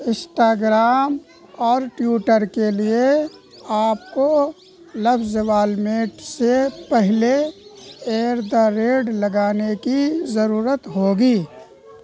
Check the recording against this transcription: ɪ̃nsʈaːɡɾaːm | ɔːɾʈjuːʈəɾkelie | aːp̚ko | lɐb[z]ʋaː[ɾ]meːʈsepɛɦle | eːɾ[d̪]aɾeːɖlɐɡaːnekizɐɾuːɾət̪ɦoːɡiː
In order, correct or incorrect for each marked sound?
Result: correct, incorrect, correct

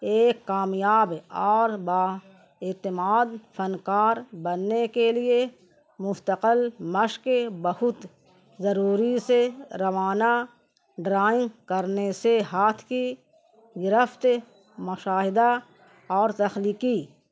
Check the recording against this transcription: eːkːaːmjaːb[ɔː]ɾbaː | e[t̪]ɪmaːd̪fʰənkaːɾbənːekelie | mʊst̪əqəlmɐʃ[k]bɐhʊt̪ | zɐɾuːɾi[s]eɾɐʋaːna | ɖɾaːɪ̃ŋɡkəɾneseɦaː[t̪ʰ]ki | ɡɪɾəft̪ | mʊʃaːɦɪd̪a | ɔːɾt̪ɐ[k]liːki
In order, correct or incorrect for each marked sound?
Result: correct, correct, correct, correct, correct, incorrect

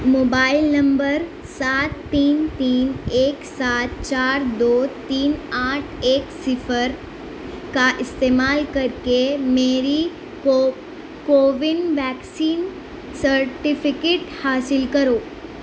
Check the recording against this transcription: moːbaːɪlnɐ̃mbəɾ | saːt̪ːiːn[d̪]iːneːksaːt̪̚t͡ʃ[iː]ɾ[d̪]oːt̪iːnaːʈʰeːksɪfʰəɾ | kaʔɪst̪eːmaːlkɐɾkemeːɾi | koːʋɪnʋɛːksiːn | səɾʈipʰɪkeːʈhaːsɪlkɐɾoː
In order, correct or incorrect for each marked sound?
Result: incorrect, incorrect, correct

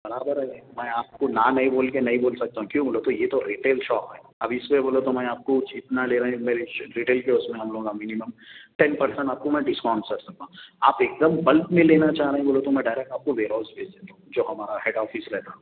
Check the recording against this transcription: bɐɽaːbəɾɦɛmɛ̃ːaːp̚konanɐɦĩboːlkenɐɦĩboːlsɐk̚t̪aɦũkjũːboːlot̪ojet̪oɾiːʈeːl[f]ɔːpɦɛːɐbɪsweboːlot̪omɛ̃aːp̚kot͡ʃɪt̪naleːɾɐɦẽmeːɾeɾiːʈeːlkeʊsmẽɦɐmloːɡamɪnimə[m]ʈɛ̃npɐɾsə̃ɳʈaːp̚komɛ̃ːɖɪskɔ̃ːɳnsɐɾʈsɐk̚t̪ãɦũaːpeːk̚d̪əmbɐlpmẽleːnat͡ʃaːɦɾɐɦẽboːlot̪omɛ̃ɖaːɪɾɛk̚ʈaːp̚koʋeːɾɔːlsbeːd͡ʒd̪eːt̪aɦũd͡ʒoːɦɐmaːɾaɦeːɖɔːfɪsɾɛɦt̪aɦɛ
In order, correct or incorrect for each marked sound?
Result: incorrect, correct

